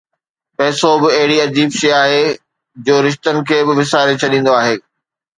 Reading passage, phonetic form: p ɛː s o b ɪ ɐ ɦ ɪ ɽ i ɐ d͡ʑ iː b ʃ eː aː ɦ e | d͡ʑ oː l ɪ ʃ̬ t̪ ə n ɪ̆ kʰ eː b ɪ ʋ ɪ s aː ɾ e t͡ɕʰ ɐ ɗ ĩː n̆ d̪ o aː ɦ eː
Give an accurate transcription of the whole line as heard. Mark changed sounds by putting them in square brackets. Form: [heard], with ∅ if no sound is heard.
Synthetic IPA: p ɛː s o b ɪ ɐ ɦ ɪ ɽ i ɐ d͡ʑ iː b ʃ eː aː ɦ e | d͡ʑ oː [ɾ] ɪ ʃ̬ t̪ ə n ɪ̆ kʰ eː b ɪ ʋ ɪ s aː ɾ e t͡ɕʰ ɐ ɗ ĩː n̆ d̪ o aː ɦ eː